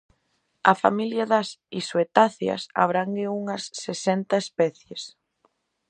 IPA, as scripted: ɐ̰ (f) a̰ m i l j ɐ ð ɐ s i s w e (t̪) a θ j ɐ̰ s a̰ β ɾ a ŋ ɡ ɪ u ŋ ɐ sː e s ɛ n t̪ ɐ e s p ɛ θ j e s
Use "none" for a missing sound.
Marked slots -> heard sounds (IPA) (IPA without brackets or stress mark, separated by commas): f, t̪